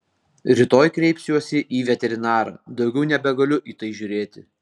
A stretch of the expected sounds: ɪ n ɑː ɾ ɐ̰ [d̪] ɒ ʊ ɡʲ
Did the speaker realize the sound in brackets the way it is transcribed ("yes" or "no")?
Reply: yes